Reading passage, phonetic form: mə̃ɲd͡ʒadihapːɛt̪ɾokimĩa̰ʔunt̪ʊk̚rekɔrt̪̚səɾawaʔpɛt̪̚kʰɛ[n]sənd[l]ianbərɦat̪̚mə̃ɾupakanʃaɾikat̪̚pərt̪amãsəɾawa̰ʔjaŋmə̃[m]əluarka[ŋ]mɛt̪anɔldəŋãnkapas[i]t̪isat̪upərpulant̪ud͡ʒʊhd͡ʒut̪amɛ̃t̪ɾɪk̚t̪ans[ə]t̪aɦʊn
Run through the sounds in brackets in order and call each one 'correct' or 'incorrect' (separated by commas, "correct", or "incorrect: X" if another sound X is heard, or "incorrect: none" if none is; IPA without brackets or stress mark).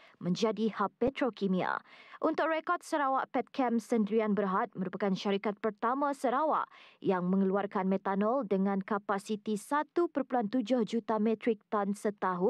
incorrect: m, incorrect: ɾ, incorrect: ŋ, incorrect: n, correct, correct